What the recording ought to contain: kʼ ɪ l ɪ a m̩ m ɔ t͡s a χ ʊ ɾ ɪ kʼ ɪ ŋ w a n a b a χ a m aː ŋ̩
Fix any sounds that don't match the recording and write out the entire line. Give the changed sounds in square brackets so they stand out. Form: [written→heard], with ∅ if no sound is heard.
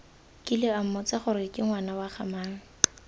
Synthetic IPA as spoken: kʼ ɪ l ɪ a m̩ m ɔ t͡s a χ ʊ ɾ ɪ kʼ ɪ ŋ w a n a [b→w] a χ a m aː ŋ̩